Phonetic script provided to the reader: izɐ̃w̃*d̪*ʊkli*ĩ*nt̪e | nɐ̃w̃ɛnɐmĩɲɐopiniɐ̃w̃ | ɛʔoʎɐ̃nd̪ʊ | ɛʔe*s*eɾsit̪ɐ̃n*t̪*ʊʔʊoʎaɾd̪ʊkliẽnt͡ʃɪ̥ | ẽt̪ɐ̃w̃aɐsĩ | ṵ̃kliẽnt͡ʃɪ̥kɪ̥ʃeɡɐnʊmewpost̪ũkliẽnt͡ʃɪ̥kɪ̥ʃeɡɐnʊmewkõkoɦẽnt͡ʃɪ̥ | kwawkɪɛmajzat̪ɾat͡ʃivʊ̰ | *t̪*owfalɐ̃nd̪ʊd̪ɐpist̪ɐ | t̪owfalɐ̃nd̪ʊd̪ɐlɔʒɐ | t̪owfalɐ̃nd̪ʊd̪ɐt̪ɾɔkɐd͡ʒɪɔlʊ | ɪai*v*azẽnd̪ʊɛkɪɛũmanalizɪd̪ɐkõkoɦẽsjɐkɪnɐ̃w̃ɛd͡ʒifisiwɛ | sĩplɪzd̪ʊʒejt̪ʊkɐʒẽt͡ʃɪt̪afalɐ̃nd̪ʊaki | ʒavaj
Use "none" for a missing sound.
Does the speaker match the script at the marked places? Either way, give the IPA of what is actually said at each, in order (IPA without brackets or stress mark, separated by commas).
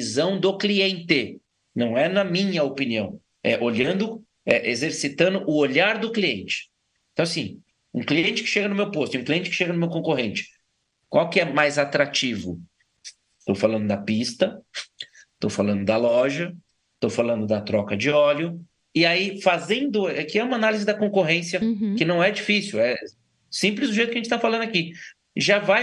d̪, ẽ, z, d̪, t̪, f